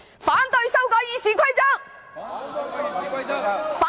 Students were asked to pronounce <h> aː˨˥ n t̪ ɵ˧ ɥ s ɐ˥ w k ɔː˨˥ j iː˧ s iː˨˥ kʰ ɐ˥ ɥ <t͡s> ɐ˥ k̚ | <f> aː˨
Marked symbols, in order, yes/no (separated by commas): no, yes, yes